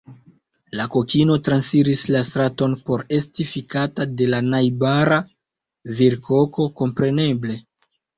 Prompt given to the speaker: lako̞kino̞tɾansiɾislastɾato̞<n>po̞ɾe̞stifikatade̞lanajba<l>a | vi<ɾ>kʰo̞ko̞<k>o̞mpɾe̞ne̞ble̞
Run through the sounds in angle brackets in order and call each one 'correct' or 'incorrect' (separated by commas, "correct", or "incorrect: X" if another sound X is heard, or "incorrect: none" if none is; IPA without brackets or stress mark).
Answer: correct, incorrect: ɾ, correct, correct